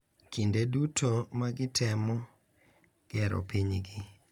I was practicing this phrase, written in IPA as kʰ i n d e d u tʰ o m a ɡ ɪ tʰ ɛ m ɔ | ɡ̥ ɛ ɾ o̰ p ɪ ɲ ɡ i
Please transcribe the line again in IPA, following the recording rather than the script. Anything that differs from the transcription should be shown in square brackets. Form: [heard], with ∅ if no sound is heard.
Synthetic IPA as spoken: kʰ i n d e d u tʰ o m a ɡ ɪ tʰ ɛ m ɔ | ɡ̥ ɛ ɾ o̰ p [i] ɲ ɡ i